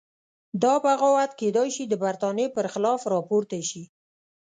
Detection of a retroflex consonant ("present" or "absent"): absent